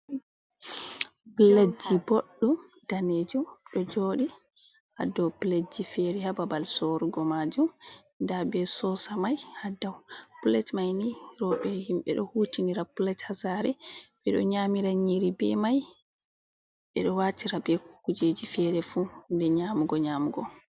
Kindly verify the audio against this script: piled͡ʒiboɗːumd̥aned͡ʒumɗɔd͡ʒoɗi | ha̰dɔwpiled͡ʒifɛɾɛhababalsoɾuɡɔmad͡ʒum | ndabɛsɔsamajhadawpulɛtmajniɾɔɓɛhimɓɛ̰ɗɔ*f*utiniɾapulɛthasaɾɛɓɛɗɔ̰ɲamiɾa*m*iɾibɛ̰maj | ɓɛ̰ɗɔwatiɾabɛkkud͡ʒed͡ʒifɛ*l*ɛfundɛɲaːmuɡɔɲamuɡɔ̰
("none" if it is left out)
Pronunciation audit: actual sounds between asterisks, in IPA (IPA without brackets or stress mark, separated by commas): h, ɲ, ɾ